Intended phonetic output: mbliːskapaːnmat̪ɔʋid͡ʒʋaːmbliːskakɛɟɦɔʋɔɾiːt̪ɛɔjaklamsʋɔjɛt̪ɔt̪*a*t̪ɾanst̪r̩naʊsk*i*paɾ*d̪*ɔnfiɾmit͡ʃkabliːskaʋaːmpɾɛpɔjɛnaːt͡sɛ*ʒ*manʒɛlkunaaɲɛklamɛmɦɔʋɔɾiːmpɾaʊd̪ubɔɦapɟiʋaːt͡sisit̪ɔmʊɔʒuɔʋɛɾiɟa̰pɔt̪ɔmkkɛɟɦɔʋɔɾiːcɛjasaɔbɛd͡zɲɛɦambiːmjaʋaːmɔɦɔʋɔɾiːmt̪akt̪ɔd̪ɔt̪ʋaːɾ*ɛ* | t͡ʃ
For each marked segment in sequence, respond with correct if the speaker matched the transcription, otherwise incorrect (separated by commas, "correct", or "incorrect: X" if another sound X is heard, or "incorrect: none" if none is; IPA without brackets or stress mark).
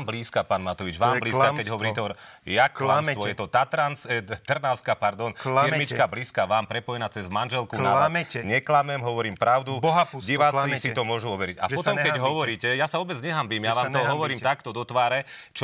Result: correct, incorrect: a, correct, incorrect: z, correct